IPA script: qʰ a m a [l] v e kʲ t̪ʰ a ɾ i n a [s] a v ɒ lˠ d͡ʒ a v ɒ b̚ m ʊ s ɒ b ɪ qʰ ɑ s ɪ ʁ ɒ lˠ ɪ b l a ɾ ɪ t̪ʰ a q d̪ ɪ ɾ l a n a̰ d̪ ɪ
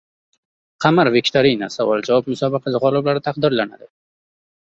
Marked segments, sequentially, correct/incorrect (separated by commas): incorrect, correct